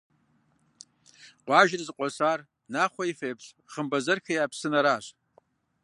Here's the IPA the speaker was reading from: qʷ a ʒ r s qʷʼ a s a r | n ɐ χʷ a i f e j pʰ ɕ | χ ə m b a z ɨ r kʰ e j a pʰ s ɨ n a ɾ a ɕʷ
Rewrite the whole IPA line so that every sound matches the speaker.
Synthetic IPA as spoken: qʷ a ʒ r z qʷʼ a s a r | n a χʷ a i f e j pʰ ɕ | χ ə m b a z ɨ r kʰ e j a pʰ s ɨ n a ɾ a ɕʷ